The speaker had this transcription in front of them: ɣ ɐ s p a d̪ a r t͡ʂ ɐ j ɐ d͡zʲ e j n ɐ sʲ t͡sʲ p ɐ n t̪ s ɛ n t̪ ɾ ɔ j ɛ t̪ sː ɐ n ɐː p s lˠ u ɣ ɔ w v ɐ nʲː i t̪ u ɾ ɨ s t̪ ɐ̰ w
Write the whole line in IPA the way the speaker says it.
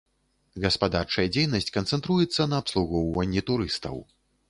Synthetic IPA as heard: ɣ ɐ s p a d̪ a r t͡ʂ ɐ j ɐ d͡zʲ e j n ɐ sʲ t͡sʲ k ɐ n t̪ s ɛ n t̪ ɾ u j ɛ t̪ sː ɐ n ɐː p s lˠ u ɣ ɔ w v ɐ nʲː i t̪ u ɾ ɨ s t̪ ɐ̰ w